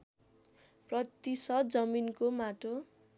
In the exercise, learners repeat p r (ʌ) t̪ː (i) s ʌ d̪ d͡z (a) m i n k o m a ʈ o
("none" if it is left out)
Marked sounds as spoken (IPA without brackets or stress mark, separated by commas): ʌ, i, ʌ